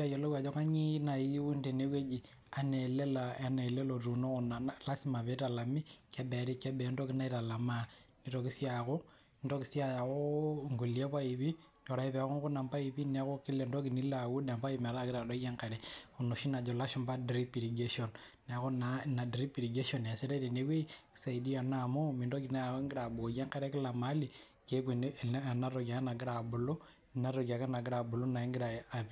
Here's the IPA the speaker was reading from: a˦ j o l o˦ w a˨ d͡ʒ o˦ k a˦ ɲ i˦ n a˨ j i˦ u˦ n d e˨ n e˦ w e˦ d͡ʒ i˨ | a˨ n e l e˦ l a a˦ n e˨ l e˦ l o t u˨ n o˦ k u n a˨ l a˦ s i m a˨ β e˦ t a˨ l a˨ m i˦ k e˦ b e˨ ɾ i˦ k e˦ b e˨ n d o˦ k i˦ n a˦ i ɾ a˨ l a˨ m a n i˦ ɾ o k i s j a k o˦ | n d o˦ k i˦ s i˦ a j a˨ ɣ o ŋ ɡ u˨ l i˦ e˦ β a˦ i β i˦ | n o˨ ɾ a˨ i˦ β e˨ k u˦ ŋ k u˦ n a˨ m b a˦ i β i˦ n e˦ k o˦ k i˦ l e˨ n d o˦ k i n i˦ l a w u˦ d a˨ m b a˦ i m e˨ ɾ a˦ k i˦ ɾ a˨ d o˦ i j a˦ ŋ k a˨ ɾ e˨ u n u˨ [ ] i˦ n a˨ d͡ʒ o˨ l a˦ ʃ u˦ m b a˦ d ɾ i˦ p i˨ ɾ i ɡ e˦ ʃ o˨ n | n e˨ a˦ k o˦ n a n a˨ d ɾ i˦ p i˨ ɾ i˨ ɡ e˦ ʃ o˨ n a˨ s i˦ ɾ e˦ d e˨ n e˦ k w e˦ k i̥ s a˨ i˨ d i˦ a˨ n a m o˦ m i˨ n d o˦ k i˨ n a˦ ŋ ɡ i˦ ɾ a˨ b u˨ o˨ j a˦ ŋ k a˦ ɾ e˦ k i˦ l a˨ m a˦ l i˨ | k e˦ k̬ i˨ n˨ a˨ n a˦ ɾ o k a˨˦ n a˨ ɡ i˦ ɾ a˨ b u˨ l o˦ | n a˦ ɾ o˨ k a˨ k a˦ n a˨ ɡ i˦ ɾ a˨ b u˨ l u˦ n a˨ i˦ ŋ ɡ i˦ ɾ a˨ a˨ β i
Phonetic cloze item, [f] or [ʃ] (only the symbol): ʃ